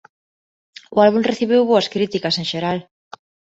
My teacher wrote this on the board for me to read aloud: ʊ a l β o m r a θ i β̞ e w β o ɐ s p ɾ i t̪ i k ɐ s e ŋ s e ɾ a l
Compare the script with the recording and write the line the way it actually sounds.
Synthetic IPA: ʊ a l β u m r e θ i β̞ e w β o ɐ s k ɾ i t̪ i k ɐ s e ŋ ʃ e ɾ a l